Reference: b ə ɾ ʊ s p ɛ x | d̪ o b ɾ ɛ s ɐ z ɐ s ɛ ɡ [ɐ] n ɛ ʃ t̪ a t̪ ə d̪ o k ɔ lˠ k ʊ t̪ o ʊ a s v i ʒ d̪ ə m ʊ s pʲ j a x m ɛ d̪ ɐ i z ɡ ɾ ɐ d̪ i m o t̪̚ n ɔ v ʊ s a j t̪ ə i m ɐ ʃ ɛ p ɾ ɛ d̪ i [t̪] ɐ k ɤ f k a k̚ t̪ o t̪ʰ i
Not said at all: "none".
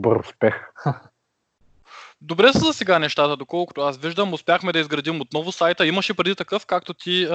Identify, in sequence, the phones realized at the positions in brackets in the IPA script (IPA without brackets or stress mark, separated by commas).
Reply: a, t̪